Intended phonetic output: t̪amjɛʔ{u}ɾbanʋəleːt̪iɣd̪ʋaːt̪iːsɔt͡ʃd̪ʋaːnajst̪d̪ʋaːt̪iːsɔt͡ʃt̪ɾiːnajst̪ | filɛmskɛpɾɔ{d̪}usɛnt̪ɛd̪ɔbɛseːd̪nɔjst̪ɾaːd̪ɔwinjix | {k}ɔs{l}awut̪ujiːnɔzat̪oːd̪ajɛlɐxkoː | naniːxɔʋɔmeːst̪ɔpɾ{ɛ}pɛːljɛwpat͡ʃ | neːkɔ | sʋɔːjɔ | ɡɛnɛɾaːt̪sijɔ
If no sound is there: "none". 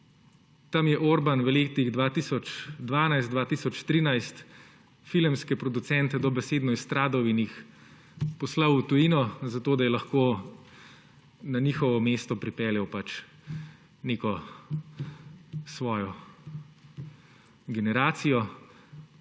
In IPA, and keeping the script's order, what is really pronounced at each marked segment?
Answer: o, d̪, p, l, i

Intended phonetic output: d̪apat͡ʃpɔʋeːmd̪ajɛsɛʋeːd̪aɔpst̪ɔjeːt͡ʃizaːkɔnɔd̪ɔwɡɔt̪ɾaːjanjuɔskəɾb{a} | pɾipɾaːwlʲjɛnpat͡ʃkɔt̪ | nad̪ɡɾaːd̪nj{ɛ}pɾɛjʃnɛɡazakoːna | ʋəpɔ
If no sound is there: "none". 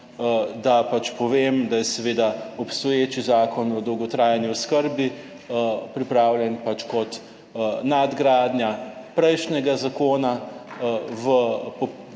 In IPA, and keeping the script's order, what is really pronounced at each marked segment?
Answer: i, a

